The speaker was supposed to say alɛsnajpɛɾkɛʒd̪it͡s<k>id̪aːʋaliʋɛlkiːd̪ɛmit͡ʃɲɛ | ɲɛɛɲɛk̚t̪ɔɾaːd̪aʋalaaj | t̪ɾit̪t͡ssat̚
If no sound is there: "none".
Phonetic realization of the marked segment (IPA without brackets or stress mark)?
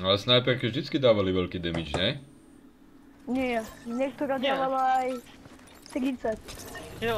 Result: k